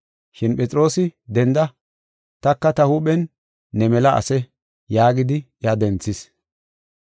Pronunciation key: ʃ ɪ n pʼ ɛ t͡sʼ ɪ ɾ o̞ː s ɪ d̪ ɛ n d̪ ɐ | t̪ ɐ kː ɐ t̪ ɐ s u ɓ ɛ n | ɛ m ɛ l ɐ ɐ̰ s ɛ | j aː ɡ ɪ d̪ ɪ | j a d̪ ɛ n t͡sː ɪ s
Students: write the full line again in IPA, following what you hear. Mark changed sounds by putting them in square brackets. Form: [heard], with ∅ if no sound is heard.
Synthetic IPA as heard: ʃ ɪ n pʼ ɛ t͡sʼ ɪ ɾ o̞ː s ɪ d̪ ɛ n d̪ ɐ | t̪ ɐ kː ɐ t̪ ɐ [h] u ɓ ɛ [nː] | ɛ m ɛ l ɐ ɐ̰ s ɛ | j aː ɡ ɪ d̪ ɪ | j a d̪ ɛ n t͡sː ɪ s